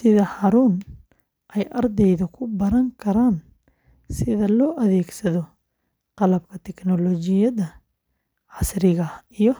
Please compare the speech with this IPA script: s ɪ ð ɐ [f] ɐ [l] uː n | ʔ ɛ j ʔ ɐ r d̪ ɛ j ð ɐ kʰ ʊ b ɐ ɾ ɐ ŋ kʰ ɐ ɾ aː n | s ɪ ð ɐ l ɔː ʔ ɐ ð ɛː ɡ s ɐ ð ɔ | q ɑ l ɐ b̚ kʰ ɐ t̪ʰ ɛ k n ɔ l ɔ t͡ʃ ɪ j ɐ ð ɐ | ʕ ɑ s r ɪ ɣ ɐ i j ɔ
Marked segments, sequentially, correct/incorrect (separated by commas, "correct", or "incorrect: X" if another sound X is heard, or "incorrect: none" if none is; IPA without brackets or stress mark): incorrect: h, incorrect: ɾ